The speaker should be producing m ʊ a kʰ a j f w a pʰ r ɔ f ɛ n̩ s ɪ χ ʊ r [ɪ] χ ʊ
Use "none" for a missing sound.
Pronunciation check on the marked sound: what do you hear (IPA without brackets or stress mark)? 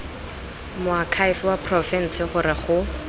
ɪ